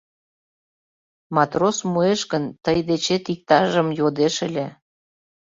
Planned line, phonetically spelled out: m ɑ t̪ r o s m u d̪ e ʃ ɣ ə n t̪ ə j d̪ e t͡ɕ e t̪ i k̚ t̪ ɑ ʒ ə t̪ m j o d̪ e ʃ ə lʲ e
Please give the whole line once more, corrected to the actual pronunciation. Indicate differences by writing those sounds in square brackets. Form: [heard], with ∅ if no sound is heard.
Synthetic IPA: m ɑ t̪ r o s m u [∅] e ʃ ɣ ə n t̪ ə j d̪ e t͡ɕ e t̪ i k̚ t̪ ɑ ʒ ə [∅] m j o d̪ e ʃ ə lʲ e